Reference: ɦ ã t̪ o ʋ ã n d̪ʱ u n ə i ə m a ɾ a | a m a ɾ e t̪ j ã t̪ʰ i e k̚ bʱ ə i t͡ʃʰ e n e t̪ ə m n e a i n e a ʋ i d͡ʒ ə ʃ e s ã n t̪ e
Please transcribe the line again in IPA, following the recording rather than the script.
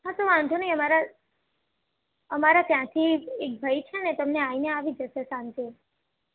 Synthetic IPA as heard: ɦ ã t̪ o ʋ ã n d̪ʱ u n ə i ə m a ɾ a | ə m a ɾ a t̪ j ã t̪ʰ i e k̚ bʱ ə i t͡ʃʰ e n e t̪ ə m n e a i n e a ʋ i d͡ʒ ə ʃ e s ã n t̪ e